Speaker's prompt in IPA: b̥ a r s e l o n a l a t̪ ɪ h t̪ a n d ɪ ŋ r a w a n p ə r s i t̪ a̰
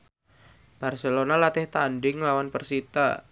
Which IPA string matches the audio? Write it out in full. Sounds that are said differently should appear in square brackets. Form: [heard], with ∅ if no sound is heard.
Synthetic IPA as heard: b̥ a r s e l o n a l a t̪ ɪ h t̪ a n d ɪ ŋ [l] a w a n p ə r s i t̪ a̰